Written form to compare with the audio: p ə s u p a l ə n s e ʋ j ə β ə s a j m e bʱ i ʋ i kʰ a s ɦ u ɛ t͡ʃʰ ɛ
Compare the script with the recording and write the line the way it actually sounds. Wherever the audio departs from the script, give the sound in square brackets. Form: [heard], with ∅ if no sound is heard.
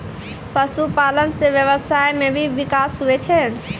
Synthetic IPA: p ə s u p a l ə n s e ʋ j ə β ə s a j m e bʱ i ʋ i [k] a s ɦ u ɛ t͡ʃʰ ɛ